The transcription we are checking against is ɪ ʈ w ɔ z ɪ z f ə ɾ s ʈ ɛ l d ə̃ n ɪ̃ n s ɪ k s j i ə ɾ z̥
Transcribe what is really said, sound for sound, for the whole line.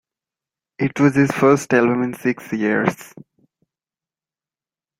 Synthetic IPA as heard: ɪ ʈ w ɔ z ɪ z f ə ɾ s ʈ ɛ l b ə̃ m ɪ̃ n s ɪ k s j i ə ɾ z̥